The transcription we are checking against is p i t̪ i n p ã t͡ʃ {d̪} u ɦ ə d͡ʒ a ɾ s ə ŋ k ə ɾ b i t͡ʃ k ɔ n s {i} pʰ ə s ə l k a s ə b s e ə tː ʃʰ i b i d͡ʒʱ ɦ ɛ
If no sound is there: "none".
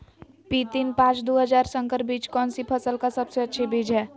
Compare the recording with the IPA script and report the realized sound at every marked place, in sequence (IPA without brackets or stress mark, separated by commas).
d̪, i